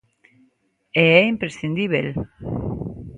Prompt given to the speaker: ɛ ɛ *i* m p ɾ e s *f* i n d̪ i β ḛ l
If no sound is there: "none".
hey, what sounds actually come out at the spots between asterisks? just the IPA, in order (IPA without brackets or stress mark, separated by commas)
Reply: i, θ